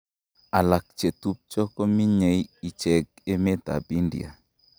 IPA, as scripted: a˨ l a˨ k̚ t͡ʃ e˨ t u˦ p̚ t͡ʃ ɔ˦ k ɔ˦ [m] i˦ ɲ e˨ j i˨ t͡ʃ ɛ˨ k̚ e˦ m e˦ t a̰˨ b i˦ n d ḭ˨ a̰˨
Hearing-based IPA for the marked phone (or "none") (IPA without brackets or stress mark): m